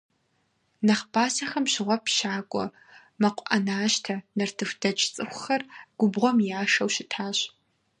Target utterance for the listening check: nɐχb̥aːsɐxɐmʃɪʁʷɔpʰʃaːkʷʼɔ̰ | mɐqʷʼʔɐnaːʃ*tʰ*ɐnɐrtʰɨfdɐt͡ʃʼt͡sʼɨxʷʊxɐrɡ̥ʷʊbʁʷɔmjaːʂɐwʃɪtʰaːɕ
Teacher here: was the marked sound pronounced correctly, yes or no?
yes